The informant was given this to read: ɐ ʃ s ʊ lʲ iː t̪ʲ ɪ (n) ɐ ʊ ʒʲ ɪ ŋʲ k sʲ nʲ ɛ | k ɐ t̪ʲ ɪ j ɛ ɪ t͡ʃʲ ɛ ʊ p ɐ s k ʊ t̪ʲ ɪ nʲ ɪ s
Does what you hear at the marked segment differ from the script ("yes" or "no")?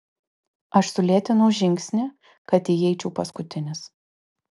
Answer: no